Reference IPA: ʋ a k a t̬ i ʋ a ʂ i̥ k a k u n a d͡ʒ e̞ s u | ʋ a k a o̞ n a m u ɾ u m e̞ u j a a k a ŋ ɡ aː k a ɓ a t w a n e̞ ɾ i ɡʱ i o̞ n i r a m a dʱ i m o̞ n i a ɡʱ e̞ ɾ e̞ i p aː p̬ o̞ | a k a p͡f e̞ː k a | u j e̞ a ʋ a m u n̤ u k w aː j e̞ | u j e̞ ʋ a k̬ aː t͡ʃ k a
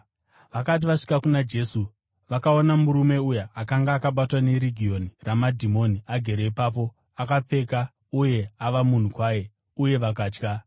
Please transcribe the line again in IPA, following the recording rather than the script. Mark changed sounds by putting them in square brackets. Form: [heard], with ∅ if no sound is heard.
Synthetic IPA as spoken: ʋ a k a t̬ i ʋ a ʂ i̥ k a k u n a d͡ʒ e̞ s u | ʋ a k a o̞ n a m u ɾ u m e̞ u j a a k a ŋ ɡ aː k a ɓ a t w a n e̞ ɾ i ɡʱ i o̞ n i r a m a dʱ i m o̞ n i a ɡʱ e̞ ɾ e̞ i p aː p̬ o̞ | a k a p͡f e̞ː k a | u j e̞ a ʋ a m u n̤ u k w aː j e̞ | u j e̞ ʋ a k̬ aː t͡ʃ k a